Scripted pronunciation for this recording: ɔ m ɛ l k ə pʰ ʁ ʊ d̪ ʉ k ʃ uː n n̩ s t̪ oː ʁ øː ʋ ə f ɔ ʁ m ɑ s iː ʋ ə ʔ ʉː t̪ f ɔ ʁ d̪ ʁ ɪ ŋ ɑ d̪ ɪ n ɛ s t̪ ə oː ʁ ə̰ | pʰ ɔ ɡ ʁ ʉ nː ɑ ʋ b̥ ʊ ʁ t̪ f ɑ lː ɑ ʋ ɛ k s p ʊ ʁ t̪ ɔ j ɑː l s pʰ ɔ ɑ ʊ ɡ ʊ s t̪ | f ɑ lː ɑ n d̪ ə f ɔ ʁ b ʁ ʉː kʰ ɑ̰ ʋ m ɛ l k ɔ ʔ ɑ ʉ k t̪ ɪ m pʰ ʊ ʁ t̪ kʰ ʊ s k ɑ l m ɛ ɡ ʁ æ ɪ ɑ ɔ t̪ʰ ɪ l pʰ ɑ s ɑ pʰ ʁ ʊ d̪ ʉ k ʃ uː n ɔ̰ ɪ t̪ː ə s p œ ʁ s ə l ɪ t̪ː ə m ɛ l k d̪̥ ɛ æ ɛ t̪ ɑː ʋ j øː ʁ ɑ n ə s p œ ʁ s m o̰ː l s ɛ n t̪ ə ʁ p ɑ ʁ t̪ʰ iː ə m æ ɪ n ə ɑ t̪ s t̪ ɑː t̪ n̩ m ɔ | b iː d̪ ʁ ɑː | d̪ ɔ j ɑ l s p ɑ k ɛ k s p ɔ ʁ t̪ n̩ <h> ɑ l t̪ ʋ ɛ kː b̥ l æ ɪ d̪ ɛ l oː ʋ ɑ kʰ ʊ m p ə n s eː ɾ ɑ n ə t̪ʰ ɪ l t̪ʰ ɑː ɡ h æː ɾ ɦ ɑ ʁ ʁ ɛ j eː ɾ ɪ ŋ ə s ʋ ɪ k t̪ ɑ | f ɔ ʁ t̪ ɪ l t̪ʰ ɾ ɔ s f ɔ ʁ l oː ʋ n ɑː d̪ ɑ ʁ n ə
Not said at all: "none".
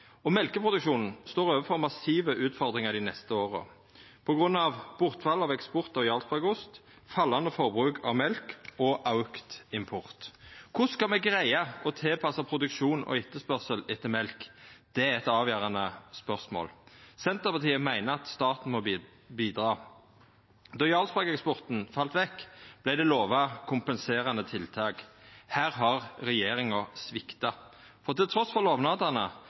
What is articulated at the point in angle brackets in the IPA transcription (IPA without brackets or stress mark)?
f